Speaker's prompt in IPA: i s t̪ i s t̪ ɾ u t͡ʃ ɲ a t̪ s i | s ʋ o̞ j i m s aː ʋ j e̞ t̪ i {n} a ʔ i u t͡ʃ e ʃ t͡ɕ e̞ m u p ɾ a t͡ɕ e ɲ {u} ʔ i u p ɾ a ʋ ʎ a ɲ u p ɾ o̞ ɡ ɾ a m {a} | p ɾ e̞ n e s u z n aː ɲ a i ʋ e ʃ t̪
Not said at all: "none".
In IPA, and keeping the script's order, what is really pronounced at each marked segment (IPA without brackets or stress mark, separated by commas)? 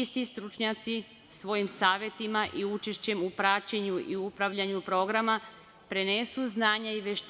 m, u, a